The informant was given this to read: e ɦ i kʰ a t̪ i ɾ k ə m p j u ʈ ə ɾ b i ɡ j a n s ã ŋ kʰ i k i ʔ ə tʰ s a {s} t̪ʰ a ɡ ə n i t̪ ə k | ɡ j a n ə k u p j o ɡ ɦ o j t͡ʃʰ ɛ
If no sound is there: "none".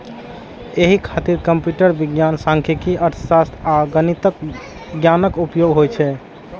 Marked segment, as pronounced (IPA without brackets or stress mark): s